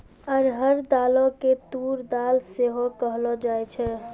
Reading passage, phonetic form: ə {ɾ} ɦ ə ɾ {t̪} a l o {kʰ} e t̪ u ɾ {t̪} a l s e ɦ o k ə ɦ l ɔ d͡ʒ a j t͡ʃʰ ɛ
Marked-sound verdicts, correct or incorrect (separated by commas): correct, incorrect, incorrect, incorrect